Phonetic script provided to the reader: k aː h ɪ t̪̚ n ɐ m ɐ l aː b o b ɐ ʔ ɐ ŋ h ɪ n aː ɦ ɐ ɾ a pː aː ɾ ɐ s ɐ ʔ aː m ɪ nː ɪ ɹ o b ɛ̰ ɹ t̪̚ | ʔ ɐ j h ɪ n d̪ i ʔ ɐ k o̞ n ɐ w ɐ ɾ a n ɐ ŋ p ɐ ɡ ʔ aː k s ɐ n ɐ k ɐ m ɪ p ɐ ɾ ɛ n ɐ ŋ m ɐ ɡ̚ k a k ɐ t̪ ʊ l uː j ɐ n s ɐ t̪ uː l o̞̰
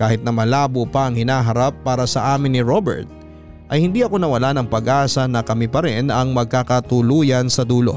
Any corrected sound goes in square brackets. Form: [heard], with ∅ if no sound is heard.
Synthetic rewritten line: k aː h ɪ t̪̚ n ɐ m ɐ l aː b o [p] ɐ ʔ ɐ ŋ h ɪ n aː ɦ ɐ ɾ a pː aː ɾ ɐ s ɐ ʔ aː m ɪ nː ɪ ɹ o b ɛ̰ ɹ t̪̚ | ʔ ɐ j h ɪ n d̪ i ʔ ɐ k o̞ n ɐ w ɐ [l] a n ɐ ŋ p ɐ ɡ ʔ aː [∅] s ɐ n ɐ k ɐ m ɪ p ɐ ɾ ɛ n ɐ ŋ m ɐ ɡ̚ k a k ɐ t̪ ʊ l uː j ɐ n s ɐ [d̪] uː l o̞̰